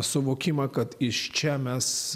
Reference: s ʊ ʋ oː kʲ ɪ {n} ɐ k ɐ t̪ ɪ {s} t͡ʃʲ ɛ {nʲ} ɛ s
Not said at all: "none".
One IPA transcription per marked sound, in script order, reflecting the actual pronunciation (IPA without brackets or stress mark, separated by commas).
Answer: m, ʃ, mʲ